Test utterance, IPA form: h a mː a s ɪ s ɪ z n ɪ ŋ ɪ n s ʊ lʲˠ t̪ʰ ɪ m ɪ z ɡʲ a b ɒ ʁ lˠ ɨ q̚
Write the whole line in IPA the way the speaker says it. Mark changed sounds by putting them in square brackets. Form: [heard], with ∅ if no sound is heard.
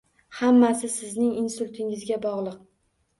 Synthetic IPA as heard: h a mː a s ɪ s ɪ z n ɪ ŋ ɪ n s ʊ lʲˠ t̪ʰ ɪ [ŋ] ɪ z ɡʲ a b ɒ ʁ lˠ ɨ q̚